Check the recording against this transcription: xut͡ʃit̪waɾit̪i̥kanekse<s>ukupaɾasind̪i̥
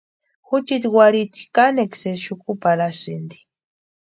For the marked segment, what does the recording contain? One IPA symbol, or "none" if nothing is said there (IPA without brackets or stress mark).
ʃ